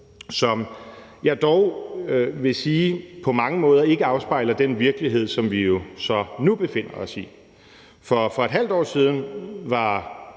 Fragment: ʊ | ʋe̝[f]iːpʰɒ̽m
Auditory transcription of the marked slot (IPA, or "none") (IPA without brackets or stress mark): s